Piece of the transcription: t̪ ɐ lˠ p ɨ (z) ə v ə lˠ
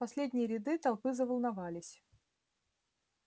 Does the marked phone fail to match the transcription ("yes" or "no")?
no